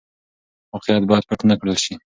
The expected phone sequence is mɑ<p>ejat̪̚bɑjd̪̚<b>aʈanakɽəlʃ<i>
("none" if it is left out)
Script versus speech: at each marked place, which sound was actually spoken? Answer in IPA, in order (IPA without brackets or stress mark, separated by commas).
q, p, i